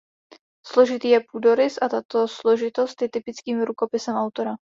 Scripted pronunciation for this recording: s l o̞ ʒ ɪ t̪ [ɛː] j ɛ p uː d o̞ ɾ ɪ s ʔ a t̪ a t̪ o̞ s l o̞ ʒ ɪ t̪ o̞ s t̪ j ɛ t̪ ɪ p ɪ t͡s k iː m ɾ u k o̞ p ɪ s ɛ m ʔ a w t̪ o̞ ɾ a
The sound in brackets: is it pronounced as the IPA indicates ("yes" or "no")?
no